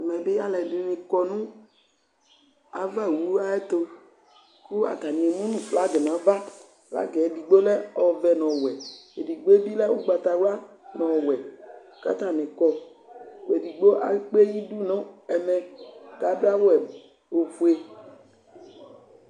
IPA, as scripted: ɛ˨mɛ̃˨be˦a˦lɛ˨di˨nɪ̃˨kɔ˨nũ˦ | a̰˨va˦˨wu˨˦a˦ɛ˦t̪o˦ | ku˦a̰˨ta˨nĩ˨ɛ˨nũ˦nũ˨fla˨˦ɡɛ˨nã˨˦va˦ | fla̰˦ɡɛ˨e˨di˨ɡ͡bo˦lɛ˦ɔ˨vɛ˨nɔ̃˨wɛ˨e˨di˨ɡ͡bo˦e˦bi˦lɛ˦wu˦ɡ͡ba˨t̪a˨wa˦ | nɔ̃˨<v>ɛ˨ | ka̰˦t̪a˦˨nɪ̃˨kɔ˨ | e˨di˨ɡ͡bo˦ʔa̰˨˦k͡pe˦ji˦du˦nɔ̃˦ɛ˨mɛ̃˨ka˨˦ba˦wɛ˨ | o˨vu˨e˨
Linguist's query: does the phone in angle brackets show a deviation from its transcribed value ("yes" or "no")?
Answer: yes